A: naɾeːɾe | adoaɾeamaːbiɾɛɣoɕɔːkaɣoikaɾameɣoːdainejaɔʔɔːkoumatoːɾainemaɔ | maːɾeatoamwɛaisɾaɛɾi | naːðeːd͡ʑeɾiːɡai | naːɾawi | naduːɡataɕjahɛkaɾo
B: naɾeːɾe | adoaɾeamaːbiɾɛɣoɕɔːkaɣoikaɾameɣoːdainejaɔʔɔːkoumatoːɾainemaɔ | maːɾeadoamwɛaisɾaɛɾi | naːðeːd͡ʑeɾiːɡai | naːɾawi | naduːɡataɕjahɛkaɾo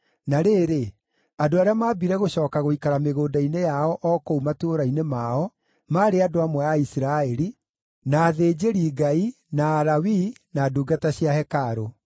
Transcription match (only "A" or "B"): B